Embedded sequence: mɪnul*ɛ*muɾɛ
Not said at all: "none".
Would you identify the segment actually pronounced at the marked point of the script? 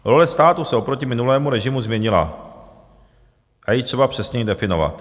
ɛː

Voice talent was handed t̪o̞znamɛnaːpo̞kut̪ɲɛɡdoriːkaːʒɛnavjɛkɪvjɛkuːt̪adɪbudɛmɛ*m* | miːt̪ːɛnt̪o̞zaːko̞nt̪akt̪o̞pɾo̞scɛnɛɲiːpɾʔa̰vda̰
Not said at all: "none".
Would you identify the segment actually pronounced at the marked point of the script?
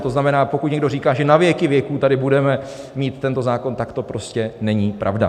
none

